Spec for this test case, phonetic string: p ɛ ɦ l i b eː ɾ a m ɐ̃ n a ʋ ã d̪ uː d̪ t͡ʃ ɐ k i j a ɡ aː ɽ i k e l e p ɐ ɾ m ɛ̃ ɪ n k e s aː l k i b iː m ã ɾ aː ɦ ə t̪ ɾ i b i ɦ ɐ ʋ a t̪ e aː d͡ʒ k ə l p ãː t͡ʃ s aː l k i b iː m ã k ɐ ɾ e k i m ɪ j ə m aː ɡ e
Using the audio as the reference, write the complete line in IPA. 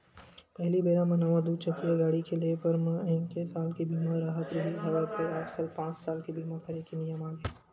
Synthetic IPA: p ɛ ɦ l i b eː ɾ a m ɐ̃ n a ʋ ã d̪ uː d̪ t͡ʃ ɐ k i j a ɡ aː ɽ i k e l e p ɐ ɾ m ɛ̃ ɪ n k e s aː l k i b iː m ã ɾ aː ɦ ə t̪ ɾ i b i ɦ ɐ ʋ a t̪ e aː d͡ʒ k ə l p ãː t͡ʃ s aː l k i b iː m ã k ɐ ɾ e k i n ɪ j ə m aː ɡ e